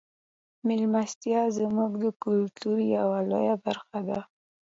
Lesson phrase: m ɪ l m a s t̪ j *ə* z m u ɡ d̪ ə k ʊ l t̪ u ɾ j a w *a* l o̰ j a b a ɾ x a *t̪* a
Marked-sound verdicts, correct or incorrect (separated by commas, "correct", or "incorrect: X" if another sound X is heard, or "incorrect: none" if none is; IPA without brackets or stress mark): incorrect: ɑ, correct, incorrect: d̪